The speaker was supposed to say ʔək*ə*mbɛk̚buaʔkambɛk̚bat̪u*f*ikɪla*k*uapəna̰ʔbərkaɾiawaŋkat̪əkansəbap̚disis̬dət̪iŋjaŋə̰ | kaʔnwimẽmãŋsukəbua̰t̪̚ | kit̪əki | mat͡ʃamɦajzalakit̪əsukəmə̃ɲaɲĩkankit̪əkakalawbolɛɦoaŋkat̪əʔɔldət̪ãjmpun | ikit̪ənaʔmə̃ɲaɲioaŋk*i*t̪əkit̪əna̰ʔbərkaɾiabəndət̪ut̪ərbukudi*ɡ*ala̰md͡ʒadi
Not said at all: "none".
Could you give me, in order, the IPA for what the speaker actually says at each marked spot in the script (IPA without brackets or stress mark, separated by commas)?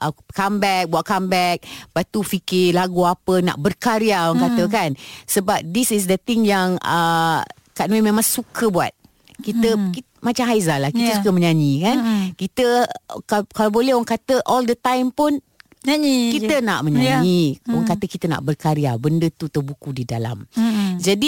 a, f, ɡ, a, d